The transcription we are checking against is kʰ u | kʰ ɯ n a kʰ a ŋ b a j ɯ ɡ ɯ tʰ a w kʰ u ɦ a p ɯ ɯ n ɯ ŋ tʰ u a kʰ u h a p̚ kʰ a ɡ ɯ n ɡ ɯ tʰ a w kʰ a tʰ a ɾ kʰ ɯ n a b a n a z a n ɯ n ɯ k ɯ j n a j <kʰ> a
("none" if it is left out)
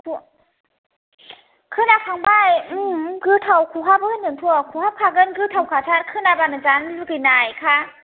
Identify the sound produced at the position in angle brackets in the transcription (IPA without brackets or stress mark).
kʰ